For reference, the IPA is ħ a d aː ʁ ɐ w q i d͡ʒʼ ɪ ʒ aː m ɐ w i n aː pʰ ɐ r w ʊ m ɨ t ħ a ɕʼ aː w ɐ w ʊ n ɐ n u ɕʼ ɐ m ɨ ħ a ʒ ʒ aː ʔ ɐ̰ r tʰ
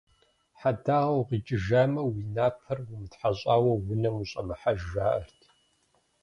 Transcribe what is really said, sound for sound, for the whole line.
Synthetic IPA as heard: ħ a d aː ʁ ɐ w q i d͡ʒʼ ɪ ʒ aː m ɐ w i n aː pʰ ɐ r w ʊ m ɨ t ħ a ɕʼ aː w ɐ w ʊ n ɐ m u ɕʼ ɐ m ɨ ħ a ʒ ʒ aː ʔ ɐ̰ r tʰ